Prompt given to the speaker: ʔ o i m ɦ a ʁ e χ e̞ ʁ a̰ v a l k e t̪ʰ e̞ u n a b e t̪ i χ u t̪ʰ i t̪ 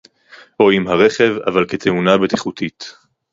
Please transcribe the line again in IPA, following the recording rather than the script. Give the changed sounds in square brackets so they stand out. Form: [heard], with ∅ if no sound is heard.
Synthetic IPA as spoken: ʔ o i m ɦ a ʁ e χ e̞ [v] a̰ v a l k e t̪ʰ e̞ u n a b e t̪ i χ u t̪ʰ i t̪

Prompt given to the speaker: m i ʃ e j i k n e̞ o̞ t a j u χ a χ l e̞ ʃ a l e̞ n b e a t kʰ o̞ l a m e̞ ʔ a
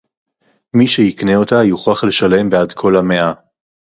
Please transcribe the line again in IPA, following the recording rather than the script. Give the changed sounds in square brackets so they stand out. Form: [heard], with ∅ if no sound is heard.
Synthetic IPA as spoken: m i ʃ e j i k n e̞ o̞ t a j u χ a χ l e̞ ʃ a l e̞ [m] b e a [d] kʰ o̞ l a m e̞ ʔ a

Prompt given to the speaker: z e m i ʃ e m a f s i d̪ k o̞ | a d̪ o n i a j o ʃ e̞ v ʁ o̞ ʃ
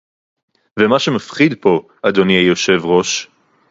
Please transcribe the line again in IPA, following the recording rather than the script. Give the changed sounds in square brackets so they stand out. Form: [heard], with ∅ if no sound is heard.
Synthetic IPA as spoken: [v] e m [a] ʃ e m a f [χ] i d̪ [p] o̞ | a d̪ o n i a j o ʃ e̞ v ʁ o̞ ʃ

